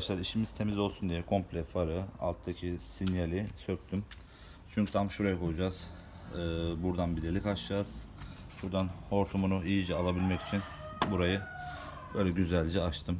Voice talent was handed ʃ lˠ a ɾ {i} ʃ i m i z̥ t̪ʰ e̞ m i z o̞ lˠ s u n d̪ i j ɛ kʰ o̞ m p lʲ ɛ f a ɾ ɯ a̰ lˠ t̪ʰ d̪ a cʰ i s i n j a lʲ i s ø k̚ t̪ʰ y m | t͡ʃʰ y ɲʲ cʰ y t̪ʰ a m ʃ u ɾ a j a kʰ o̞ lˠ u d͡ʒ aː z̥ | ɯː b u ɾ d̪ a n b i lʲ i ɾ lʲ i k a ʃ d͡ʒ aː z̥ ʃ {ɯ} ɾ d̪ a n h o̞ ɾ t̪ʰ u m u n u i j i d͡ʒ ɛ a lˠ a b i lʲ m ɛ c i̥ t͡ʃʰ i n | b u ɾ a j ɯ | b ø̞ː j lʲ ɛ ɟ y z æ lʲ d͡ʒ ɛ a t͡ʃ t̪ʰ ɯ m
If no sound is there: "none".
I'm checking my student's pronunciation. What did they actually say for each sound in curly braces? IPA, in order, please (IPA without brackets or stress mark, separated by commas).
i, u